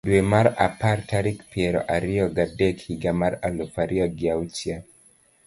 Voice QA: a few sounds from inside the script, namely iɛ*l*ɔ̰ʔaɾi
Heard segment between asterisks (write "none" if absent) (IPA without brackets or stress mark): ɾ